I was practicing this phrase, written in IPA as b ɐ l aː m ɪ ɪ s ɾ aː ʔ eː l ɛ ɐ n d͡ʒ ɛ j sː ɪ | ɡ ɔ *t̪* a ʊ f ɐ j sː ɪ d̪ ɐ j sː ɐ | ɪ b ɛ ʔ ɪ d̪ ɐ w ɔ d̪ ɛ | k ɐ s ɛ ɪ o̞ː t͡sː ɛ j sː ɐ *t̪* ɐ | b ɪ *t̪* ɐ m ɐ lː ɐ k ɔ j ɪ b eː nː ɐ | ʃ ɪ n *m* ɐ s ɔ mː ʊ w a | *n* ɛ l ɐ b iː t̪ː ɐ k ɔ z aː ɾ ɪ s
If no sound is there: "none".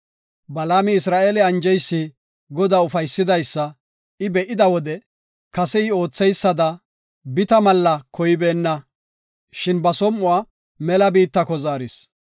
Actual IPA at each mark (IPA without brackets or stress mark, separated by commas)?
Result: d̪, d̪, t̪, b, m